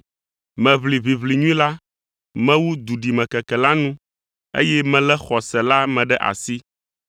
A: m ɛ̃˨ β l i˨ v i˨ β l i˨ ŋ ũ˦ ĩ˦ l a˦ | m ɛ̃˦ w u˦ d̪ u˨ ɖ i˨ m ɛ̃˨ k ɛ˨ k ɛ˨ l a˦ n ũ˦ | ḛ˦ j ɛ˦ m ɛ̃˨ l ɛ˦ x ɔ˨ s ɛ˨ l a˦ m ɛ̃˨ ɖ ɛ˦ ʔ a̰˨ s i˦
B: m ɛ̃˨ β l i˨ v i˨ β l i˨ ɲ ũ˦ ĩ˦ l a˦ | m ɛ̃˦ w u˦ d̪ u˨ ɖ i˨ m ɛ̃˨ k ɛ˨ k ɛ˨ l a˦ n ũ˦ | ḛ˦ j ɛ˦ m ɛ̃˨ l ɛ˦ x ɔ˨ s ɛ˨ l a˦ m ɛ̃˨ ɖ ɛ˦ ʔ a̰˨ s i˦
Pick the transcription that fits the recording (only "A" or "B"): B